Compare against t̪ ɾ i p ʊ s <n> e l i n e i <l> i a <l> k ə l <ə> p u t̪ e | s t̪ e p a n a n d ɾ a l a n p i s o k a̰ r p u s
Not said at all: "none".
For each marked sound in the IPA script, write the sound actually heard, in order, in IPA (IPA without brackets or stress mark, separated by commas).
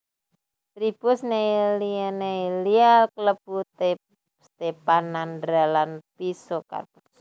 n, l, l, ə